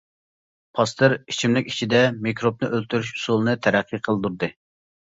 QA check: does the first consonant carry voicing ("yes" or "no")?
no